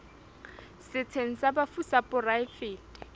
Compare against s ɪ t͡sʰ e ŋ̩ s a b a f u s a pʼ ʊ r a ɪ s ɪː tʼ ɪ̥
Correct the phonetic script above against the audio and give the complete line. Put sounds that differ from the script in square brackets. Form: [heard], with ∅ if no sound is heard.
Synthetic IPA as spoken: s ɪ t͡sʰ e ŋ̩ s a b a f u s a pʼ ʊ r a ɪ [f] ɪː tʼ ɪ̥